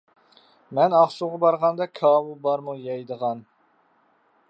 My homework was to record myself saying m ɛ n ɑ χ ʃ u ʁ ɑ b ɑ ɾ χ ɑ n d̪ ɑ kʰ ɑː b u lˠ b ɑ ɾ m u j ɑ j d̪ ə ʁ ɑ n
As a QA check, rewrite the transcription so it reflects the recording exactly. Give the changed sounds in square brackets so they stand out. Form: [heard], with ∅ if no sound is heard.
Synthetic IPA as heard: m ɛ n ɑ χ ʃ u ʁ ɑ b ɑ ɾ [ʁ] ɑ n d̪ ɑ kʰ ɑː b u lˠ b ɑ ɾ m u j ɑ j d̪ ə ʁ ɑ n